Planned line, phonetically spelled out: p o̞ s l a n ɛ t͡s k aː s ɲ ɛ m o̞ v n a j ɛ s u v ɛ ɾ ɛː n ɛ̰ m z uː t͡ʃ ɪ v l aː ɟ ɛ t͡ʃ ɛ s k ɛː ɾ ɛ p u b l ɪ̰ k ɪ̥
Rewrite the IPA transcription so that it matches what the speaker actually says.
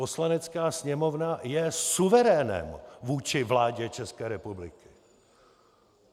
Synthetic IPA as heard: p o̞ s l a n ɛ t͡s k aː s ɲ ɛ m o̞ v n a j ɛ s u v ɛ ɾ ɛː n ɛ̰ m v uː t͡ʃ ɪ v l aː ɟ ɛ t͡ʃ ɛ s k ɛː ɾ ɛ p u b l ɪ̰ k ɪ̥